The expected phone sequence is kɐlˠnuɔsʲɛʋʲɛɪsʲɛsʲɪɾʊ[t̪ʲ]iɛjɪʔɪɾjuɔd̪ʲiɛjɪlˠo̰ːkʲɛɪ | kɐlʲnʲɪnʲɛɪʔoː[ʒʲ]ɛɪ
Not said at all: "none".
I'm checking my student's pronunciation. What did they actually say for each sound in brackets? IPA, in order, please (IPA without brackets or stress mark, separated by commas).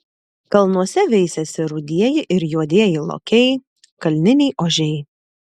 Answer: d̪ʲ, ʒʲ